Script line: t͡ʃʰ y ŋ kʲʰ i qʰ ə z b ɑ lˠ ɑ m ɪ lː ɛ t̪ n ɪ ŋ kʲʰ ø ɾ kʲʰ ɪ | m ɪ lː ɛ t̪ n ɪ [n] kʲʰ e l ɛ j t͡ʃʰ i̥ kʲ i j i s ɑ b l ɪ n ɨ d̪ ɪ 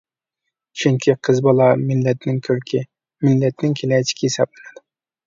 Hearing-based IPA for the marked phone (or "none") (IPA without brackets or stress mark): ŋ